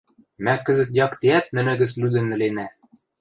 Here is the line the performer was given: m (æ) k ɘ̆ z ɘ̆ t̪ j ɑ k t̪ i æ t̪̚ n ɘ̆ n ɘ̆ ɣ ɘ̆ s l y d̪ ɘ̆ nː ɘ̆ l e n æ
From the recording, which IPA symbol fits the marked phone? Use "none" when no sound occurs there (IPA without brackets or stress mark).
æ